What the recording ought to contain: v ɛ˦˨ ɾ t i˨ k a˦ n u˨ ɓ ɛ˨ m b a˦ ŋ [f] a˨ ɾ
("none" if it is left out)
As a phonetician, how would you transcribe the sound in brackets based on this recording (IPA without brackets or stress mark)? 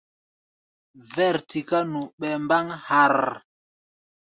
h